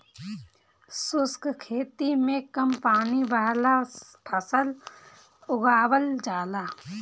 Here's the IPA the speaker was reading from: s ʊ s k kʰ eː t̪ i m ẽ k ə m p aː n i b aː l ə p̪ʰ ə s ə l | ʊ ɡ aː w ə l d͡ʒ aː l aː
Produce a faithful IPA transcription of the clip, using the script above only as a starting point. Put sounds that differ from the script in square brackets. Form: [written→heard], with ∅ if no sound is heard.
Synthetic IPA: s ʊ s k kʰ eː t̪ i m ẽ k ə m p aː n i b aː l [ə→a] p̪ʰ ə s ə l | ʊ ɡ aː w ə l d͡ʒ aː l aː